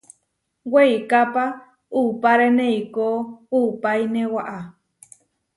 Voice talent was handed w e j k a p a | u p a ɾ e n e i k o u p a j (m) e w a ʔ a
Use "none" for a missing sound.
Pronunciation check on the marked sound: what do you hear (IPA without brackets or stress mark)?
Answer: n